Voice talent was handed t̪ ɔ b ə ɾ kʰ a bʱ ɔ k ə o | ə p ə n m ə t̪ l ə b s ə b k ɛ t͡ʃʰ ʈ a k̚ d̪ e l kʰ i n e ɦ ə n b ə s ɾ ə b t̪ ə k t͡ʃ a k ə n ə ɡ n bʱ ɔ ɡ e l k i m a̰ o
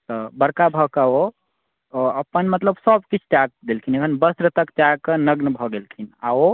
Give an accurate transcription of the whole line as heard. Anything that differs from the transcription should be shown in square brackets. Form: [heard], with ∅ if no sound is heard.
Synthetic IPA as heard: t̪ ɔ b ə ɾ [k] a bʱ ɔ k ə o | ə p ə n m ə t̪ l ə b s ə b k [i] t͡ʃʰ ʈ a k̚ d̪ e l kʰ i n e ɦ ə n b ə s ɾ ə [∅] t̪ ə k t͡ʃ a k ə n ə ɡ n bʱ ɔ ɡ e l [kʰ] i [n] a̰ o

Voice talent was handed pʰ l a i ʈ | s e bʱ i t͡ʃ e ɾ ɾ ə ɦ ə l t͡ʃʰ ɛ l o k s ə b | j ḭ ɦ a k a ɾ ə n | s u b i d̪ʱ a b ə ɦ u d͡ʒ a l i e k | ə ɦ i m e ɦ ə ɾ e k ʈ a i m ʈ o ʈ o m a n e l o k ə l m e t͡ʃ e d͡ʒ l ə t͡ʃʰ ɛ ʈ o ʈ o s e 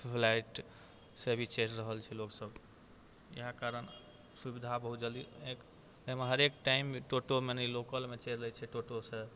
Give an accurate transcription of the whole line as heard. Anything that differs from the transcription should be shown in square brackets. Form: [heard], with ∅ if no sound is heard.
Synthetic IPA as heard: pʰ l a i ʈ | s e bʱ i t͡ʃ e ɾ ɾ ə ɦ ə l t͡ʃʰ ɛ l o k s ə b | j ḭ ɦ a k a ɾ ə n | s u b i d̪ʱ a b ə ɦ u d͡ʒ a l i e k | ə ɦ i m e ɦ ə ɾ e k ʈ a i m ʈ o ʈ o m [e] n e l o k ə l m e t͡ʃ e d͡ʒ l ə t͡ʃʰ ɛ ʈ o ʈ o s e

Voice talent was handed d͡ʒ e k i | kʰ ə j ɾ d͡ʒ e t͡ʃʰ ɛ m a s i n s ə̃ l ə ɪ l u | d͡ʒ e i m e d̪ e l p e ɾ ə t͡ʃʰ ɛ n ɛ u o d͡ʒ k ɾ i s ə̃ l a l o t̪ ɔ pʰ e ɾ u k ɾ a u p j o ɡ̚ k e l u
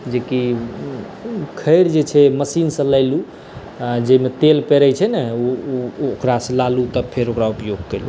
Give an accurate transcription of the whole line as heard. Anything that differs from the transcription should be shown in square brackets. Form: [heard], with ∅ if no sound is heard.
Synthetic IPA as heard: d͡ʒ e k i | kʰ ə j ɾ d͡ʒ e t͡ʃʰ ɛ m [ə] s i n s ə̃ l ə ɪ l u | d͡ʒ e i m e [t̪] e l p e ɾ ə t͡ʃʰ ɛ n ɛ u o [∅] k ɾ [a] s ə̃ l a l [u] t̪ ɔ pʰ e ɾ [o] k ɾ a u p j o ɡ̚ k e l u

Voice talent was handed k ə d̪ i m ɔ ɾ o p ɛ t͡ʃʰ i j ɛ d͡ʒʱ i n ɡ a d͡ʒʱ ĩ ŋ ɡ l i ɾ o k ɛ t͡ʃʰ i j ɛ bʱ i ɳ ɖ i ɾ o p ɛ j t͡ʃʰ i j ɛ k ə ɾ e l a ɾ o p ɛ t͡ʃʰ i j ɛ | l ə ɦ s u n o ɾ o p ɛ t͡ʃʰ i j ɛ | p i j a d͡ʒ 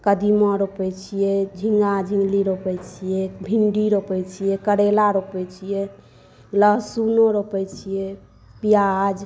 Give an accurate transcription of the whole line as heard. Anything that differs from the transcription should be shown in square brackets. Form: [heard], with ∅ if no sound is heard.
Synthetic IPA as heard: k ə d̪ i m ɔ ɾ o p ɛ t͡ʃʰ i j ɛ d͡ʒʱ i [ŋ] ɡ a d͡ʒʱ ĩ ŋ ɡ l i ɾ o [p] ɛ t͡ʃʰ i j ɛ bʱ i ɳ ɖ i ɾ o p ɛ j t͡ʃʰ i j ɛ k ə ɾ e l a ɾ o p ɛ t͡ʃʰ i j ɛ | l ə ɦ s u n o ɾ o p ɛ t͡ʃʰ i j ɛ | p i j a d͡ʒ

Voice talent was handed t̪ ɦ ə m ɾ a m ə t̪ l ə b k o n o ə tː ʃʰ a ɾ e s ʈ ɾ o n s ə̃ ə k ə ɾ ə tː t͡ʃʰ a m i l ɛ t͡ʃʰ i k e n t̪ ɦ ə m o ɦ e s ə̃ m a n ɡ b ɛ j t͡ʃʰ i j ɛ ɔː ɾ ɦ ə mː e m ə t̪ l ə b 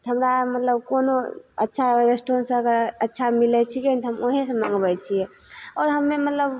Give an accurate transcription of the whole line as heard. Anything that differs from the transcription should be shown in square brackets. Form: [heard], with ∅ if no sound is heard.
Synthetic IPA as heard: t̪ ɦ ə m ɾ a m ə t̪ l ə b k o n o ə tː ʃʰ a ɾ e s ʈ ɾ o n s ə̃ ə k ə ɾ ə tː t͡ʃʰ a m i l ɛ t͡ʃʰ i k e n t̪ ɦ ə m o ɦ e s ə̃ m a [ŋ] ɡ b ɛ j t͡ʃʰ i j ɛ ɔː ɾ ɦ ə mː e m ə t̪ l ə b

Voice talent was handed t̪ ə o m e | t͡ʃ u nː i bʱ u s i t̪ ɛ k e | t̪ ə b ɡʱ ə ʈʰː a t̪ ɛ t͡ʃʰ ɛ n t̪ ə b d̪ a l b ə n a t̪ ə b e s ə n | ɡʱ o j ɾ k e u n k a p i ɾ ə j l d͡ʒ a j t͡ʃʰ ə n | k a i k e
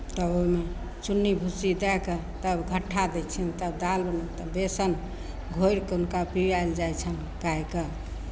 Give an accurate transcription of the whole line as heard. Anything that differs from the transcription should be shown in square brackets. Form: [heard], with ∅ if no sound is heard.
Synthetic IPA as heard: t̪ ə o m e | t͡ʃ u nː i bʱ u s i [d̪] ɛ k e | t̪ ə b ɡʱ ə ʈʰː a [d̪] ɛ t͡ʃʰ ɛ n t̪ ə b d̪ a l b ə n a t̪ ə b e s ə n | ɡʱ o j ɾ k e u n k a p i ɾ [a] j l d͡ʒ a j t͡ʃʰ ə n | k a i k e

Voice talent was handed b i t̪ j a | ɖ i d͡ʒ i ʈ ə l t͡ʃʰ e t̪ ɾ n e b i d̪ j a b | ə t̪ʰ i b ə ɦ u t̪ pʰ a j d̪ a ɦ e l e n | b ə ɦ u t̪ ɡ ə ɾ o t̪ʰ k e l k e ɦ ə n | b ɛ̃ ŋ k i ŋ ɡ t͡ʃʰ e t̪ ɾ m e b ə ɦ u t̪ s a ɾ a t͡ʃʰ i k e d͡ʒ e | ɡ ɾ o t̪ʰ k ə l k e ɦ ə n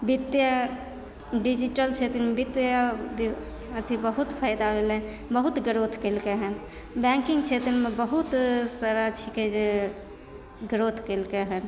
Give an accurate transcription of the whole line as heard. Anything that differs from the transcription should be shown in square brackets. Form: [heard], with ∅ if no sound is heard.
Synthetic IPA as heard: b i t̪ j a | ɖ i d͡ʒ i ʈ ə l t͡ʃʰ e t̪ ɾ [m] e b i [t̪] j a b | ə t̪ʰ i b ə ɦ u t̪ pʰ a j d̪ a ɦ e l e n | b ə ɦ u t̪ ɡ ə ɾ o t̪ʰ k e l k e ɦ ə n | b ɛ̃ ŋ k i ŋ ɡ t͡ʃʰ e t̪ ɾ m e b ə ɦ u t̪ s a ɾ a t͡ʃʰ i k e d͡ʒ e | ɡ ɾ o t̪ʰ k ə l k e ɦ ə n

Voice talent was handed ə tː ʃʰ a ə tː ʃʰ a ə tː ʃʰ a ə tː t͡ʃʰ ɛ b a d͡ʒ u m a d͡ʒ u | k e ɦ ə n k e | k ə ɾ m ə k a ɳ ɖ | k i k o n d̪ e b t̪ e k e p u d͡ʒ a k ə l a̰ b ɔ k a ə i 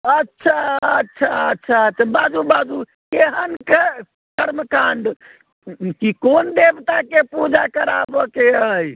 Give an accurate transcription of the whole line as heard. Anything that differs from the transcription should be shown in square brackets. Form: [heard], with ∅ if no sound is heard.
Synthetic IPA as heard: ə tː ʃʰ a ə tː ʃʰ a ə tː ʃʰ a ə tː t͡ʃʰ [a] b a d͡ʒ u [b] a d͡ʒ u | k e ɦ ə n k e | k ə ɾ m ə k a ɳ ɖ | k i k o n d̪ e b t̪ [a] k e p u d͡ʒ a k ə [ɾ] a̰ b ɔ k [e] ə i

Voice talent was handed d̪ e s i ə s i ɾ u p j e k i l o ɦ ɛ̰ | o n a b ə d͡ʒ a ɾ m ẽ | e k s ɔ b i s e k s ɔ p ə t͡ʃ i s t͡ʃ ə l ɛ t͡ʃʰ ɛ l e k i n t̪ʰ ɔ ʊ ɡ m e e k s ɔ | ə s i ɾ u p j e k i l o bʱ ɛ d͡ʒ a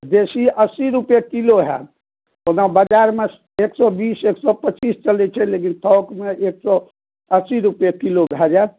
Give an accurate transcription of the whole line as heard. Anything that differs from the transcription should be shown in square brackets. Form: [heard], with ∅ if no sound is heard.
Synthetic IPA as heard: d̪ e s i ə s i ɾ u p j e k i l o ɦ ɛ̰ | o n a b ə d͡ʒ a ɾ m [e] | e k s ɔ b i s e k s ɔ p ə t͡ʃ i s t͡ʃ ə l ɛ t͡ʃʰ ɛ l e k i n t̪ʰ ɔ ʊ [k] m e e k s ɔ | ə s i ɾ u p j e k i l o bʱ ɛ d͡ʒ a

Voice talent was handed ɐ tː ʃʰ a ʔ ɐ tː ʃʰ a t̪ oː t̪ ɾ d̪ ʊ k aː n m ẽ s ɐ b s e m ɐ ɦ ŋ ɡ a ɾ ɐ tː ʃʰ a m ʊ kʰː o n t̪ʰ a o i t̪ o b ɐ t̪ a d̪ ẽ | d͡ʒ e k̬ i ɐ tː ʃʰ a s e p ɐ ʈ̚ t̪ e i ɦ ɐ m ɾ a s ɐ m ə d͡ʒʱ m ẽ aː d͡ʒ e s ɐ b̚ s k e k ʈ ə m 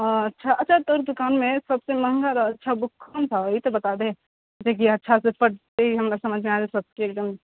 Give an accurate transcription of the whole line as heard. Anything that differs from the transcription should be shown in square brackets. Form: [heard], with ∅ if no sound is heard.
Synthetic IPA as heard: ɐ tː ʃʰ a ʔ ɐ tː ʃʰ a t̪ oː [∅] ɾ d̪ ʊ k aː n m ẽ s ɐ b s e m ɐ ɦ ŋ ɡ a ɾ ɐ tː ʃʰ a [b] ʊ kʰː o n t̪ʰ a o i t̪ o b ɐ t̪ a d̪ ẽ | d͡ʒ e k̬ i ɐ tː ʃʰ a s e p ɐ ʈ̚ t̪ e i ɦ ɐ m ɾ a s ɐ m ə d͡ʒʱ m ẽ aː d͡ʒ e s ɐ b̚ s k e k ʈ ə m

